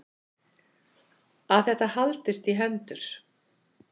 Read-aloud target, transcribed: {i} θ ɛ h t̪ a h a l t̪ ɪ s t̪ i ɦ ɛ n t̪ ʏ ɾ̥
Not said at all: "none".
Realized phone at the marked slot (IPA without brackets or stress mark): a